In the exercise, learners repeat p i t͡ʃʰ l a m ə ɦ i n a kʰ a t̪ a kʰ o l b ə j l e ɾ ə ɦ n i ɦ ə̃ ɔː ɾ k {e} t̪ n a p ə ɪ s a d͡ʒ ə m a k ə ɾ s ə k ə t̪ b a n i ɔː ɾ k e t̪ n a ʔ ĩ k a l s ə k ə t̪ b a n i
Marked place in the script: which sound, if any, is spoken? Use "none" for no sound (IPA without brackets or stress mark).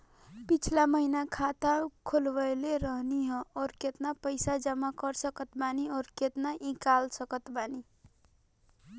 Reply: e